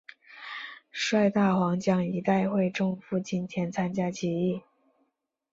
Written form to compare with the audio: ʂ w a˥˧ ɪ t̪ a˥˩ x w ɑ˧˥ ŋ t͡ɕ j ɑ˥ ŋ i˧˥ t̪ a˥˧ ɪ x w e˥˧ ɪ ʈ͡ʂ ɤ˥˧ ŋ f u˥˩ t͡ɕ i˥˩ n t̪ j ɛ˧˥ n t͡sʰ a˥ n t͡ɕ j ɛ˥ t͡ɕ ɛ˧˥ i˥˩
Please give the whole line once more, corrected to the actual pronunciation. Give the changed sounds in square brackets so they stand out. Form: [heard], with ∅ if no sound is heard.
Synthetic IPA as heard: ʂ w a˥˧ ɪ t̪ a˥˩ x w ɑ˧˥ ŋ t͡ɕ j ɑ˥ ŋ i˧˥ t̪ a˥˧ ɪ x w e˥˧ ɪ ʈ͡ʂ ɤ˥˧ ŋ f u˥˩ t͡ɕ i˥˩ n [t̪ʰ] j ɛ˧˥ n t͡sʰ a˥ n t͡ɕ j [a˥] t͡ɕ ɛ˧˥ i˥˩